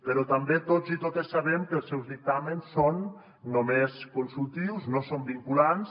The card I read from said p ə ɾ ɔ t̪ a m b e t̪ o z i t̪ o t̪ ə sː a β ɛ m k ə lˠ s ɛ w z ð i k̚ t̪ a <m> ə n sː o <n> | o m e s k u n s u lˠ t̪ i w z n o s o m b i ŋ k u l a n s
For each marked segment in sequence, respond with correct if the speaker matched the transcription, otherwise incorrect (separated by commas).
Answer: correct, incorrect